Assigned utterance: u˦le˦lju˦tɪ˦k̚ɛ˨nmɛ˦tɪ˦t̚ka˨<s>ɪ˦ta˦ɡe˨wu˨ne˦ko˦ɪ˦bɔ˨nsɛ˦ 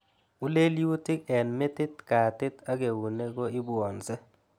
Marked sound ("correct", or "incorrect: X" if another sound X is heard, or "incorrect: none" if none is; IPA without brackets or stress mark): incorrect: t